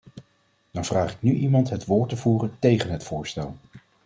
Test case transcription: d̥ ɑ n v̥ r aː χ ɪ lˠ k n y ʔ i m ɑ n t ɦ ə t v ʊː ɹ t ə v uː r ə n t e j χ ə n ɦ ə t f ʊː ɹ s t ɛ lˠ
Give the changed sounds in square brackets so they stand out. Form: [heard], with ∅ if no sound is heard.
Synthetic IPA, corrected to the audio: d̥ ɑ n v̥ r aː χ ɪ [∅] k n y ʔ i m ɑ n t ɦ ə t [ʋ] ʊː ɹ t ə v uː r ə n t e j χ ə n ɦ ə t f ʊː ɹ s t ɛ lˠ

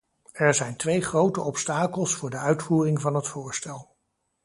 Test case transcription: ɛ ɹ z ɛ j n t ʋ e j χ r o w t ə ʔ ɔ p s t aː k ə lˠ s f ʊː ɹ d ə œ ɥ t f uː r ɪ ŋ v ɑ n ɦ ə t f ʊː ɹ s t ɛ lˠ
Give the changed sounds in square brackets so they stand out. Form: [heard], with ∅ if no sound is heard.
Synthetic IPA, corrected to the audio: ɛ ɹ z ɛ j n t ʋ e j χ r o w t ə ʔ ɔ p s t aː k ə lˠ s f ʊː ɹ d ə œ ɥ t f uː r ɪ ŋ v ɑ n ɦ ə t f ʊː ɹ s t ɛ lˠ

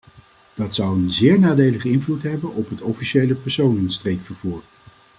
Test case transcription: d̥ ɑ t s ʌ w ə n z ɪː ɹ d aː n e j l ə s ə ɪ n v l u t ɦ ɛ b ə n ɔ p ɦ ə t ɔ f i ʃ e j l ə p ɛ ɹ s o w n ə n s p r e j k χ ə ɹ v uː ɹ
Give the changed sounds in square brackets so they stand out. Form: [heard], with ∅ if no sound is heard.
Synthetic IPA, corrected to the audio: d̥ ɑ t s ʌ w ə n z ɪː ɹ [n] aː [d] e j l ə [χ] ə ɪ n v l u t ɦ ɛ b ə n ɔ p ɦ ə t ɔ f i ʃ e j l ə p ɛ ɹ s o w n ə n s [t] r e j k [f] ə ɹ v uː ɹ

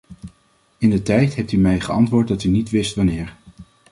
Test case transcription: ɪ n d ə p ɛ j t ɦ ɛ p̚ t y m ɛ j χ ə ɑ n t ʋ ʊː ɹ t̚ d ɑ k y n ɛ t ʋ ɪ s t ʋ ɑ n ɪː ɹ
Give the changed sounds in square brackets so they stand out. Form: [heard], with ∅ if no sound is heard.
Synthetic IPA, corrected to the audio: ɪ n d ə [t] ɛ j t ɦ ɛ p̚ t y m ɛ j χ ə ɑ n t ʋ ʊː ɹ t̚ d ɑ [t] y n [i] t ʋ ɪ s t ʋ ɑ n ɪː ɹ

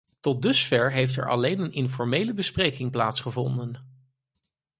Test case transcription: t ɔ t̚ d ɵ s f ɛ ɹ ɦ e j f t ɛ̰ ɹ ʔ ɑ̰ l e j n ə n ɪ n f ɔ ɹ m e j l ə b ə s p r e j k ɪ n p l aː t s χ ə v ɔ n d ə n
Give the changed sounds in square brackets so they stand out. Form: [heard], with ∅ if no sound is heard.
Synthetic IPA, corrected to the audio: t ɔ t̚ d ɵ s f ɛ ɹ ɦ e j f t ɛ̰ ɹ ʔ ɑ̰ l e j n ə n ɪ n f ɔ ɹ m e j l ə b ə s p r e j k ɪ [ŋ] p l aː t s χ ə v ɔ n d ə n

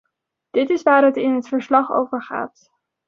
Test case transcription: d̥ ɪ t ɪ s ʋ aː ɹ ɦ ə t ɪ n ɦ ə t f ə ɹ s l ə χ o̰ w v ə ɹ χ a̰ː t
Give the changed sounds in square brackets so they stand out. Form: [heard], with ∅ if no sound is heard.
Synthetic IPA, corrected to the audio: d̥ ɪ t ɪ s ʋ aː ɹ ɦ ə t ɪ n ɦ ə t f ə ɹ s l [ɑ] χ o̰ w v ə ɹ χ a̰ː t

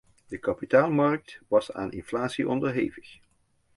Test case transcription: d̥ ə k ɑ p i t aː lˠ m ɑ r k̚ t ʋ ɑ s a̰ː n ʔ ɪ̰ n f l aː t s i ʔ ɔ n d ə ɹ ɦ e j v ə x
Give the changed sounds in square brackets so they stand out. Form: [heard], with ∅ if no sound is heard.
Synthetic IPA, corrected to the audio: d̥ ə k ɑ p i t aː lˠ m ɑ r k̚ t ʋ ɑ s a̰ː n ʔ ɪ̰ n f l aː t s i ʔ ɔ n d ə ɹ ɦ e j v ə x

